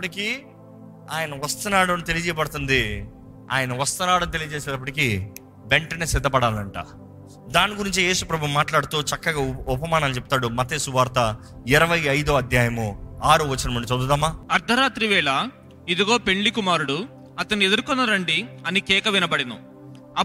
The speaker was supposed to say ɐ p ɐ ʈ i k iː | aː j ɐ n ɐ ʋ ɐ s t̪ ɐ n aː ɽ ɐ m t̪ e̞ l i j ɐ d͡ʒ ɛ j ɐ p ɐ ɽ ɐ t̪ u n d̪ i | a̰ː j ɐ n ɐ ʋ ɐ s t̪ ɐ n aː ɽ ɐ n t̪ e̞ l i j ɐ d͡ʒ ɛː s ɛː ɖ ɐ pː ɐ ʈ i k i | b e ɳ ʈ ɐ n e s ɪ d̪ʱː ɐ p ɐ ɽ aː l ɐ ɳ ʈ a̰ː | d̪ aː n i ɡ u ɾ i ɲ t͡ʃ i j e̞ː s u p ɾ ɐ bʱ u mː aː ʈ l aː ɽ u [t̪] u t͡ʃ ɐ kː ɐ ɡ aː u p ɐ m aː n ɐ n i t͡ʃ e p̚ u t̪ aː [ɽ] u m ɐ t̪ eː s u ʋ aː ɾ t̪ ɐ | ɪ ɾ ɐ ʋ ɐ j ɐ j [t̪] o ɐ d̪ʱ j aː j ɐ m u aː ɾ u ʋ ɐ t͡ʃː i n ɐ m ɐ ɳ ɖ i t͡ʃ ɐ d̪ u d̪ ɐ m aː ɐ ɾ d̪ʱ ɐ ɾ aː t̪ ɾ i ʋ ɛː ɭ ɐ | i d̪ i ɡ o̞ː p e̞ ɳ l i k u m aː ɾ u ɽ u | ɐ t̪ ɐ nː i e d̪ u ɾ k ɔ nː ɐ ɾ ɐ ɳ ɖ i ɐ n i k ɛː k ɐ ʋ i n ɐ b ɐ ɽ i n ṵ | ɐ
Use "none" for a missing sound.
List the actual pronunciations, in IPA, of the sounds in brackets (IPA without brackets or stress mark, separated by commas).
t̪, ɽ, d̪